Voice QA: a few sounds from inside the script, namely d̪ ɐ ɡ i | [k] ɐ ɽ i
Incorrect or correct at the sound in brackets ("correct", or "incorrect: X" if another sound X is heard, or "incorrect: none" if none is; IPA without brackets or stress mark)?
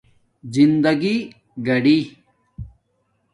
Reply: incorrect: ɡ